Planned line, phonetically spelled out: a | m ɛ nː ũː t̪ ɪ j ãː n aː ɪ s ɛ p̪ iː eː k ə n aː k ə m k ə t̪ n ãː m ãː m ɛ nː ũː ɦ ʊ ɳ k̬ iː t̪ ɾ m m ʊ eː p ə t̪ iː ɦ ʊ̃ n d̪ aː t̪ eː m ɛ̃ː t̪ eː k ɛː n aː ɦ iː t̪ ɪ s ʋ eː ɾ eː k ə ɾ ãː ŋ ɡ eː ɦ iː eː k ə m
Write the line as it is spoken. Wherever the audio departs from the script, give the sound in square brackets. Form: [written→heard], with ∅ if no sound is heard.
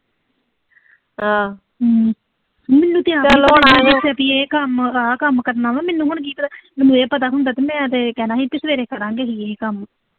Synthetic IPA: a | m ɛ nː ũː t̪ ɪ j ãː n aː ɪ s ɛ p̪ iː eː k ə [n→m] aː k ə m k ə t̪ n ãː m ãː m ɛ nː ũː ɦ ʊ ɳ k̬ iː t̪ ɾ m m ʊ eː p ə t̪ [iː→aː] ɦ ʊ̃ n d̪ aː t̪ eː m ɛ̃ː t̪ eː k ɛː n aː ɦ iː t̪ ɪ s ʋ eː ɾ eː k ə ɾ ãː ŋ ɡ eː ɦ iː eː k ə m